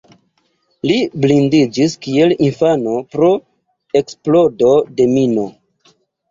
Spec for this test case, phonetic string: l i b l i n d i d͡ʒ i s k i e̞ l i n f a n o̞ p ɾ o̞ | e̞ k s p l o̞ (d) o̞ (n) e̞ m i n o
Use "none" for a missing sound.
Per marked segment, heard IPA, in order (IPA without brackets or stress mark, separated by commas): d, d